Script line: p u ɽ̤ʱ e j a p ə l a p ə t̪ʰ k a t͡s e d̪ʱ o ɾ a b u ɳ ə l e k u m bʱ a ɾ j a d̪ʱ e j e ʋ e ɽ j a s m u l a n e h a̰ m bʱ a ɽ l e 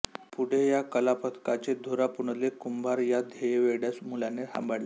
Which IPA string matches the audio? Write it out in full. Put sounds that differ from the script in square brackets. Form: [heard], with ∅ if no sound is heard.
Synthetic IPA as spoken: p u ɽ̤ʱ e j a [k] ə l a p ə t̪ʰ k a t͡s e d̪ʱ o ɾ a [p] u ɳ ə l e k u m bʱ a ɾ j a d̪ʱ e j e ʋ e ɽ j a s m u l a n e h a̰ m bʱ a ɽ l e

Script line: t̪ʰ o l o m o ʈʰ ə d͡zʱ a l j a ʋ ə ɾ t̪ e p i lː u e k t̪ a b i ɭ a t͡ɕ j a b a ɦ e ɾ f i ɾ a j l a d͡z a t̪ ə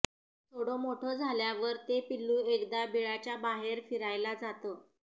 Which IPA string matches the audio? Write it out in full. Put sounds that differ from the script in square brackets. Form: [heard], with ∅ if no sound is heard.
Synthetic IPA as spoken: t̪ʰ o [ɽ] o m o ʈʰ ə d͡zʱ a l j a ʋ ə ɾ t̪ e p i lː u e k [d̪] a b i ɭ a t͡ɕ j a b a ɦ e ɾ f i ɾ a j l a d͡z a t̪ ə

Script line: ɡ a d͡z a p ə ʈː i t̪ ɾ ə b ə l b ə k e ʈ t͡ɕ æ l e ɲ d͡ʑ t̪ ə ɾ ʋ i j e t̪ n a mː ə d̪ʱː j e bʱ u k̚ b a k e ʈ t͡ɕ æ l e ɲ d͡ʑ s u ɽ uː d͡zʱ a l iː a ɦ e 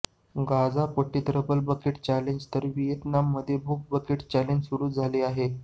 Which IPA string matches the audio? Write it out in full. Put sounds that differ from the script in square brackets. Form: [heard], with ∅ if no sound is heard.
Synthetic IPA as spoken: ɡ a d͡z a p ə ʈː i t̪ ɾ ə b ə l b ə k e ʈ t͡ɕ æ l e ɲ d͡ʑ t̪ ə ɾ ʋ i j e t̪ n a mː ə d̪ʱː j e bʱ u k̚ b [ə] k e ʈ t͡ɕ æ l e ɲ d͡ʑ s u ɽ uː d͡zʱ a l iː a ɦ e

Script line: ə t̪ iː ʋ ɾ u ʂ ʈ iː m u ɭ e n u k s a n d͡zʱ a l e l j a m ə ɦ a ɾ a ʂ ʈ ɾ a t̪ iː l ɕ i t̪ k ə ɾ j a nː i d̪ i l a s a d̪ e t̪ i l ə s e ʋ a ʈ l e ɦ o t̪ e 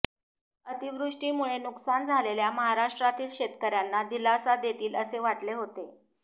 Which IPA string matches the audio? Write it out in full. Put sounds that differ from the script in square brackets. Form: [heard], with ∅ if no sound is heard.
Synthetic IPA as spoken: ə t̪ [i] ʋ ɾ u ʂ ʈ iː m u ɭ e n u k s a n d͡zʱ a l e l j a m ə ɦ a ɾ a ʂ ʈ ɾ a t̪ iː l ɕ [e] t̪ k ə ɾ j a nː [a] d̪ i l a s a d̪ e t̪ [iː] l ə s e ʋ a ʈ l e ɦ o t̪ e

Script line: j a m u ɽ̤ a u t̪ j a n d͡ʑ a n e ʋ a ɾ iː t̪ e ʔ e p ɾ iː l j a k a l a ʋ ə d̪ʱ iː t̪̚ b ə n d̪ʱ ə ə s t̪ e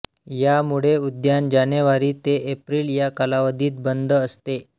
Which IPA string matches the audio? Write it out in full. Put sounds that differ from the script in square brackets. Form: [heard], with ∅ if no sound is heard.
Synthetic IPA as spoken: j a m u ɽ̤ [e] u [d̪] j a n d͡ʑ a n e ʋ a ɾ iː t̪ e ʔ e p ɾ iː l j a k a l a ʋ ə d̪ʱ iː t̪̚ b ə n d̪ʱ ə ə s t̪ e

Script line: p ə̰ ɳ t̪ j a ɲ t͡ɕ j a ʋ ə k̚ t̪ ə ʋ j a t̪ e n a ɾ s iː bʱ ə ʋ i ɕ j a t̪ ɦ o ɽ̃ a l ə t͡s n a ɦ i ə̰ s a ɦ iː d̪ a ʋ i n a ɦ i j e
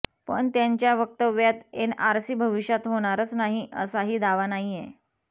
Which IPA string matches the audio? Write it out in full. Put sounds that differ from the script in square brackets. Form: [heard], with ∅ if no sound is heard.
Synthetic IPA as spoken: p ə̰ ɳ t̪ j a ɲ t͡ɕ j a ʋ ə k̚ t̪ ə ʋ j a t̪ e n a ɾ s iː bʱ ə ʋ i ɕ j a t̪ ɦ o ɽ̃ a [ɾ] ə t͡s n a ɦ i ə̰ s a ɦ iː d̪ a ʋ [a] n a ɦ i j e

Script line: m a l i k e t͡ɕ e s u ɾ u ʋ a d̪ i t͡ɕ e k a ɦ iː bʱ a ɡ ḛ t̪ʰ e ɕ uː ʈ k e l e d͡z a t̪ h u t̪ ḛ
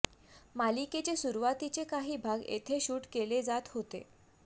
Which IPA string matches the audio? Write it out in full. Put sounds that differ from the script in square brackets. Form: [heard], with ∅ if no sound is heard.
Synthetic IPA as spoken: m a l i k e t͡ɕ e s u ɾ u ʋ a [t̪] i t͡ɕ e k a ɦ iː bʱ a ɡ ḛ t̪ʰ e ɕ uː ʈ k e l e d͡z a t̪ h [o] t̪ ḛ

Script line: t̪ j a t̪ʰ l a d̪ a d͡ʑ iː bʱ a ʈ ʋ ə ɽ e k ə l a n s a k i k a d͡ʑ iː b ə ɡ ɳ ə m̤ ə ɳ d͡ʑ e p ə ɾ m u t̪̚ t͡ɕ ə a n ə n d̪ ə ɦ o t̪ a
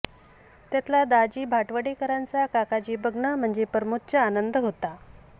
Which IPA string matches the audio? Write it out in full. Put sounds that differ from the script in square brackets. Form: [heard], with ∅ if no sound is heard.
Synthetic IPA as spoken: t̪ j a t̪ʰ l a d̪ a d͡ʑ iː bʱ a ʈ ʋ ə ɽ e k ə [ɾ] a n [t͡s] a k [a] k a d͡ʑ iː b ə ɡ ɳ ə m̤ ə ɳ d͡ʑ e p ə ɾ m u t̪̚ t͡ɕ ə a n ə n d̪ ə ɦ o t̪ a

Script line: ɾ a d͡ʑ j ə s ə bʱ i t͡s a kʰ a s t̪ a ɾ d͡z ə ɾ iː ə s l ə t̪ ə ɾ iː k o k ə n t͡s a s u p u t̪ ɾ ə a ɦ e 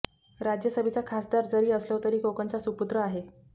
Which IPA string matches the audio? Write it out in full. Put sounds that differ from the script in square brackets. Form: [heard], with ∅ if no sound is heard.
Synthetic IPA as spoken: ɾ a d͡ʑ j ə s ə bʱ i t͡s a kʰ a s [d̪] a ɾ d͡z ə ɾ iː ə s l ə t̪ ə ɾ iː k o k ə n t͡s a s u p u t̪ ɾ ə a ɦ e

